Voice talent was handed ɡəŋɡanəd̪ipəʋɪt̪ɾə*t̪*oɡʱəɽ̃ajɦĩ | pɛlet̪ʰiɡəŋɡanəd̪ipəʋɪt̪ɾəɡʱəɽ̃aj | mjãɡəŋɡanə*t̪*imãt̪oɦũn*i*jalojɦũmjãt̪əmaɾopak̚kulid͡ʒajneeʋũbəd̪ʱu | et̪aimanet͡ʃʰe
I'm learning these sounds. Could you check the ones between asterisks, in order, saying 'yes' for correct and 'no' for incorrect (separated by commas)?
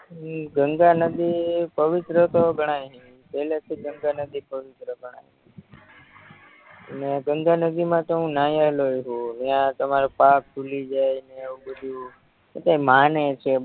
yes, no, no